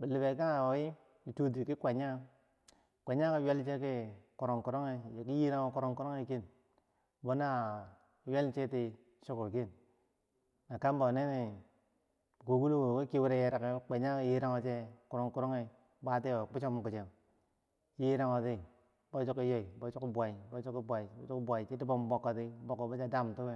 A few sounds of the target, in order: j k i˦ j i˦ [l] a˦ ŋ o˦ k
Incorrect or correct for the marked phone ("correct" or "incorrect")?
incorrect